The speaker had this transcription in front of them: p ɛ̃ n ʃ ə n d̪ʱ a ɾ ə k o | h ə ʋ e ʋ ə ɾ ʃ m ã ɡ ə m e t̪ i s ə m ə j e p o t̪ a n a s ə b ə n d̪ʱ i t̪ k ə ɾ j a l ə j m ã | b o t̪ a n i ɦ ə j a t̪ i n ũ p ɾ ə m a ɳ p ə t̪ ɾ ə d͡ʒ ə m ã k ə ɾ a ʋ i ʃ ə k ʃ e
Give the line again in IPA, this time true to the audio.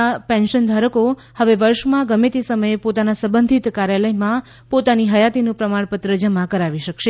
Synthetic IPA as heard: p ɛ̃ n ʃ ə n d̪ʱ a ɾ ə k o | h ə ʋ e ʋ ə ɾ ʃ m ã ɡ ə m e t̪ i s ə m ə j e p o t̪ a n a s ə b ə n d̪ʱ i t̪ k a ɾ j a l ə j m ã | p o t̪ a n i ɦ ə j a t̪ i n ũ p ɾ ə m a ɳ p ə t̪ ɾ ə d͡ʒ ə m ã k ə ɾ a ʋ i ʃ ə k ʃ e